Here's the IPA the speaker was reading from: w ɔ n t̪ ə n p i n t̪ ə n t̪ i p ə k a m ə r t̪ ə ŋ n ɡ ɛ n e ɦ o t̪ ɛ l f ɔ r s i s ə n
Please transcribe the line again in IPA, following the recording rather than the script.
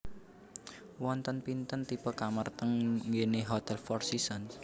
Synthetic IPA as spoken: w ɔ n t̪ ə n p i n t̪ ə n t̪ i p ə k a m ə r t̪ ə ŋ ŋ ɡ e n e ɦ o t̪ ɛ l f ɔ r s i s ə n